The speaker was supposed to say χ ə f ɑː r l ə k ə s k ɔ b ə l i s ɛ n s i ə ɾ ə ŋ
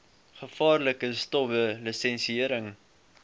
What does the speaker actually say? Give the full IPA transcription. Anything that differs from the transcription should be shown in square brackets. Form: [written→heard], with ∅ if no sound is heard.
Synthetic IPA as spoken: χ ə f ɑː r l ə k ə s [k→t] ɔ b ə l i s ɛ n s i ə ɾ ə ŋ